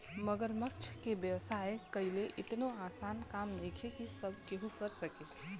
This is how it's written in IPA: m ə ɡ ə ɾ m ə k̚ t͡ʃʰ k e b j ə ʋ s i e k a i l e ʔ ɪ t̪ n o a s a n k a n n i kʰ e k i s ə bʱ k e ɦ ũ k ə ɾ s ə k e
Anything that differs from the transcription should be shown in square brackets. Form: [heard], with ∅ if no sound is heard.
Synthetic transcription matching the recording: m ə ɡ ə ɾ m ə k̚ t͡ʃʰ k e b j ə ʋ s [a] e k [ə] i l e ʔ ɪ t̪ n o a s a n k a [m] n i kʰ e k i s ə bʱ k e ɦ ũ k ə ɾ s ə k e